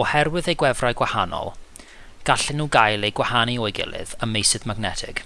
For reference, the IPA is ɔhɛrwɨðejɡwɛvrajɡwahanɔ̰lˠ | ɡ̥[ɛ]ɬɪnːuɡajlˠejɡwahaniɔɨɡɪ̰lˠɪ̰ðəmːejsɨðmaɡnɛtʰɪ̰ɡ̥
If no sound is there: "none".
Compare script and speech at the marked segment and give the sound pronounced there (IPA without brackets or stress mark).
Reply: a